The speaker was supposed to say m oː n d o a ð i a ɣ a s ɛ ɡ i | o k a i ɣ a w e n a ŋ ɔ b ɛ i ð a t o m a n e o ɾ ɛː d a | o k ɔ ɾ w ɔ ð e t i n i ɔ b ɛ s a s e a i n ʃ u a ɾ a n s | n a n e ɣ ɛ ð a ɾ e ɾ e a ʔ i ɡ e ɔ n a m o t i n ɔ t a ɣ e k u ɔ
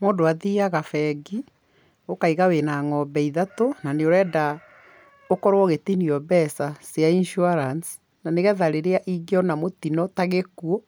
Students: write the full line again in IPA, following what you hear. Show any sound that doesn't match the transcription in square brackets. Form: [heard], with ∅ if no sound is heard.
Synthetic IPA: m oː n d o a ð i a ɣ a [f] ɛ ɡ i | o k a i ɣ a w e n a ŋ ɔ b ɛ i ð a t o [n] a n e o ɾ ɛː d a | o k ɔ ɾ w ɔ [ɣ] e t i n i ɔ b ɛ s a s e a i n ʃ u a ɾ a n s | n a n e ɣ ɛ ð a ɾ e ɾ e a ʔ i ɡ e ɔ n a m o t i n ɔ t a ɣ e k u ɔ